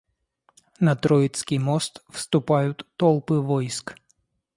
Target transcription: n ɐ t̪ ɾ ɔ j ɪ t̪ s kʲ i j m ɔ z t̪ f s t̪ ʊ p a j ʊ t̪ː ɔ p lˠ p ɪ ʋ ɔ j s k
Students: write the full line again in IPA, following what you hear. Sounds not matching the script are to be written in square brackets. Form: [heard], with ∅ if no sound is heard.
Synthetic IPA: n ɐ t̪ ɾ ɔ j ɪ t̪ s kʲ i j m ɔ [s] t̪ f s t̪ ʊ p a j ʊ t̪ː ɔ [∅] lˠ p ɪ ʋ ɔ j s k

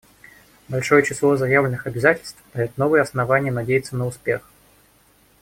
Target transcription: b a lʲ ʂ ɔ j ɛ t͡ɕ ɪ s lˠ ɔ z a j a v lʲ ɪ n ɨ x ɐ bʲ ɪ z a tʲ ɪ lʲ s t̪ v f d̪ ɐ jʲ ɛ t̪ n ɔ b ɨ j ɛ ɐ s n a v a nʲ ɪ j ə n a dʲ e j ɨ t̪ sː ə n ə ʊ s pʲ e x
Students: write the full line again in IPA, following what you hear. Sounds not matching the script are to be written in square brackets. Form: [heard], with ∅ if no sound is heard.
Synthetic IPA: b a lʲ ʂ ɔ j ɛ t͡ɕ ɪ s lˠ ɔ z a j a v lʲ ɪ n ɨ x ɐ bʲ ɪ z a tʲ ɪ lʲ s t̪ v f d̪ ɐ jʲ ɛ t̪ n ɔ [v] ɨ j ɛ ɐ s n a v a nʲ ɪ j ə n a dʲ e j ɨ t̪ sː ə n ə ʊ s pʲ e x

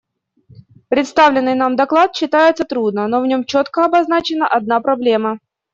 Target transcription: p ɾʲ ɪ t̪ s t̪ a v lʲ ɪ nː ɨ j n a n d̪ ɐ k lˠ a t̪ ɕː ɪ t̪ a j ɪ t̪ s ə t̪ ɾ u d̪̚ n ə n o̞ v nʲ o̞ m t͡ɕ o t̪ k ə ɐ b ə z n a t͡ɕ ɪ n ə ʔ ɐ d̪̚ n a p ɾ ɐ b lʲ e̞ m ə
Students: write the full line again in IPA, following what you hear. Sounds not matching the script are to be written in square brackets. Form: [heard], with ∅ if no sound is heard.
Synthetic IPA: p ɾʲ ɪ t̪ s t̪ a v lʲ ɪ nː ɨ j n a [m] d̪ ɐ k lˠ a t̪ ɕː ɪ t̪ a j ɪ t̪ s ə t̪ ɾ u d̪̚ n ə n o̞ v nʲ o̞ m t͡ɕ o t̪ k ə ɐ b [ɐ] z n a t͡ɕ ɪ n ə ʔ ɐ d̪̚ n a p ɾ ɐ b lʲ e̞ m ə

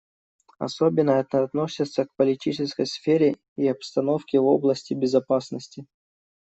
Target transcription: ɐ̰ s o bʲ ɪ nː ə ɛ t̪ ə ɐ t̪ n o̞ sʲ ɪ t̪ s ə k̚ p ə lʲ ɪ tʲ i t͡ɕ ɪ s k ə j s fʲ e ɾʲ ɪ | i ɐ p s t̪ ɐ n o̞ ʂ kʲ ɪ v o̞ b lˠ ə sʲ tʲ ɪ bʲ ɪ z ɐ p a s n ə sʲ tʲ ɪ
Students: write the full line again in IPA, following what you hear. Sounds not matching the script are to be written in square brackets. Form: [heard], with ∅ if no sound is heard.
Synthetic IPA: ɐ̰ s o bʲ ɪ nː ə ɛ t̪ ə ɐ t̪ n o̞ sʲ ɪ t̪ s ə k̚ p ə lʲ ɪ tʲ i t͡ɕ ɪ s k ə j s fʲ e ɾʲ ɪ | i ɐ p s t̪ ɐ n o̞ [f] kʲ ɪ v o̞ b lˠ ə sʲ tʲ ɪ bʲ ɪ z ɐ p a s n ə sʲ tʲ ɪ

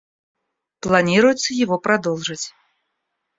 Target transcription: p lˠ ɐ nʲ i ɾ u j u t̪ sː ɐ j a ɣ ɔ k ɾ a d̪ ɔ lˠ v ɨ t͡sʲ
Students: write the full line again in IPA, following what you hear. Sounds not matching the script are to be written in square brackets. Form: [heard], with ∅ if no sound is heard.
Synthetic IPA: p lˠ [a] nʲ i ɾ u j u t̪ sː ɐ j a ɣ ɔ [p] ɾ a d̪ ɔ lˠ [ʐ] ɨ t͡sʲ

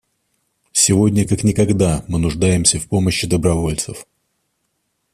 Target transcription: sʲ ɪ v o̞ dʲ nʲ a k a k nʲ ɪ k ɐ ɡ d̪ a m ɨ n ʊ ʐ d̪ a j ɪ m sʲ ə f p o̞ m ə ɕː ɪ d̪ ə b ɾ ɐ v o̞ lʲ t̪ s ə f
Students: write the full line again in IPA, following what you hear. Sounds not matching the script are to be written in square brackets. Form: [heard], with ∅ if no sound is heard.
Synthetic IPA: sʲ ɪ v o̞ dʲ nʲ [ə] k a k nʲ ɪ k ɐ ɡ d̪ a m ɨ n ʊ ʐ d̪ a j ɪ m sʲ ə f p o̞ m ə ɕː ɪ d̪ ə b ɾ ɐ v o̞ lʲ t̪ s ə f

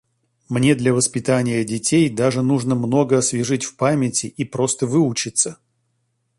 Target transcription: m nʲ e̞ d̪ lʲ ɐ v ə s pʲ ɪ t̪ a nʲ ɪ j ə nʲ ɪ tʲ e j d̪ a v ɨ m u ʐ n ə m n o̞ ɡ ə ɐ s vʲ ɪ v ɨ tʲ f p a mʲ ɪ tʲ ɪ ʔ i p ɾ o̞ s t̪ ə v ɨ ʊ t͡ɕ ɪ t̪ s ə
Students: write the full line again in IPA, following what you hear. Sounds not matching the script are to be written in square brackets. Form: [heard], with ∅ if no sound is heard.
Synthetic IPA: m nʲ e̞ d̪ lʲ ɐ v ə s pʲ ɪ t̪ a nʲ ɪ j ə [dʲ] ɪ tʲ e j d̪ a [ʐ] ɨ [n] u ʐ n ə m n o̞ ɡ ə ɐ s vʲ ɪ [ʐ] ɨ tʲ f p a mʲ ɪ tʲ ɪ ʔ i p ɾ o̞ s t̪ ə v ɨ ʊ t͡ɕ ɪ t̪ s ə

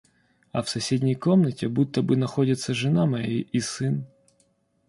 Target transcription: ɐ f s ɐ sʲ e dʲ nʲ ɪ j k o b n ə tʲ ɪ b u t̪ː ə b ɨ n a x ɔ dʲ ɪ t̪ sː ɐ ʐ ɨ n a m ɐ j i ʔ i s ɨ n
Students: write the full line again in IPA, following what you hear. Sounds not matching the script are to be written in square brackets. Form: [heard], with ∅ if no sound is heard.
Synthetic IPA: ɐ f s ɐ sʲ e dʲ nʲ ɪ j k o [m] n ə tʲ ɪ b u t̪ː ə b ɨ n [ɐ] x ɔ dʲ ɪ t̪ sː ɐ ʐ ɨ n a m ɐ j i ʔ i s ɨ n

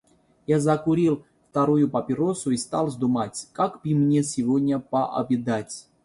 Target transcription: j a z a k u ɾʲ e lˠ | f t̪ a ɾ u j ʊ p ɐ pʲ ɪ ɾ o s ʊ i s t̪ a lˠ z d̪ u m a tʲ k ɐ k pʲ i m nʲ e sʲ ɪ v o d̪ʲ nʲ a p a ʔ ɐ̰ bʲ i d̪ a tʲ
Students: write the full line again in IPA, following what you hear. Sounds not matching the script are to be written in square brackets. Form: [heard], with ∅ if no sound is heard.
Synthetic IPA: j a z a k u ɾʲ [i] lˠ | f t̪ a ɾ u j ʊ p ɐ pʲ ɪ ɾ o s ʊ i s t̪ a lˠ z d̪ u m a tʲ k [a] k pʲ i m nʲ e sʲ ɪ v o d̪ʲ nʲ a p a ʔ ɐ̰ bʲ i d̪ a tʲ

